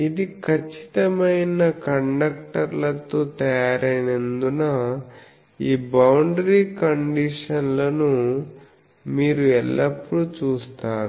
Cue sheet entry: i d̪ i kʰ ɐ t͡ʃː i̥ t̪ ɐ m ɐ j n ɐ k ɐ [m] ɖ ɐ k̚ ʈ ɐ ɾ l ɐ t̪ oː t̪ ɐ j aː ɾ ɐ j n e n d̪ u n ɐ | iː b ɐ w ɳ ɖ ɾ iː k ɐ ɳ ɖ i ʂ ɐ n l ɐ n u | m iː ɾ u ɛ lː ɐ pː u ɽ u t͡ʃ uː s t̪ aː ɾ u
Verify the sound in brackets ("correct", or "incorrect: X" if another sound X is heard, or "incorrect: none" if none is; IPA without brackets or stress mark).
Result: incorrect: ɳ